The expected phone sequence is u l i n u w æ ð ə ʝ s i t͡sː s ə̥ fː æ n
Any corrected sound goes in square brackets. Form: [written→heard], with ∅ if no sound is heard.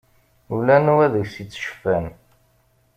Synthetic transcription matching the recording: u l [i→æ] n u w æ ð ə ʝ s i t͡sː [s→ʃ] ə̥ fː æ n